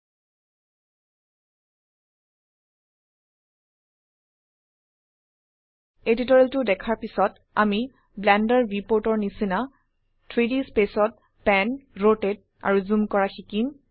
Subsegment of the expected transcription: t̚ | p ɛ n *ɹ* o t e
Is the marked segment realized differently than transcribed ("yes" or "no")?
no